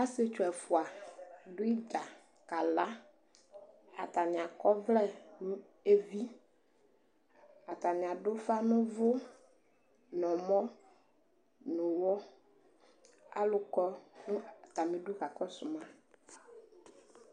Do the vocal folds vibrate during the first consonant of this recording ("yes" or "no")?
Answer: no